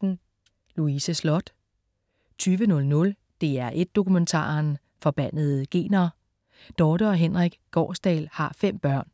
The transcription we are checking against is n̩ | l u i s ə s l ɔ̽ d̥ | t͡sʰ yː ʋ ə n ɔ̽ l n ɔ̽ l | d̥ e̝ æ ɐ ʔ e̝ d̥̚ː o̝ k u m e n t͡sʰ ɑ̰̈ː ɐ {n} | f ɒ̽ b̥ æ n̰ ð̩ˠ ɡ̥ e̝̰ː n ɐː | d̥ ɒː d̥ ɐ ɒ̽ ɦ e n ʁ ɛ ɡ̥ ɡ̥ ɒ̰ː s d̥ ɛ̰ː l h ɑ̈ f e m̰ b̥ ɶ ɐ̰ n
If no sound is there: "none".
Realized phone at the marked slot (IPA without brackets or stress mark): n